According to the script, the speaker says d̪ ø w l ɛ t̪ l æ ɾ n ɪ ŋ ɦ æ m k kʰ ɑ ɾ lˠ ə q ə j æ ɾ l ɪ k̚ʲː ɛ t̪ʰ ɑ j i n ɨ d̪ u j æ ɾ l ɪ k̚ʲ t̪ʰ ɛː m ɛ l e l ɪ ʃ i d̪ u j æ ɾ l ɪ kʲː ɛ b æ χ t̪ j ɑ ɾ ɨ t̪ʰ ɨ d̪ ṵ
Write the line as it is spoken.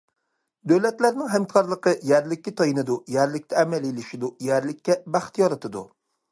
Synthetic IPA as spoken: d̪ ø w l ɛ t̪ l æ ɾ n ɪ ŋ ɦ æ m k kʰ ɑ ɾ lˠ ə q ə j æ ɾ l ɪ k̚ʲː ɛ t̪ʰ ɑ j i n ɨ d̪ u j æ ɾ l ɪ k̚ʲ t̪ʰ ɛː m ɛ l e l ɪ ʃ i d̪ u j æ ɾ l ɪ kʲː ɛ b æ χ t̪ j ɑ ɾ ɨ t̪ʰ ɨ d̪ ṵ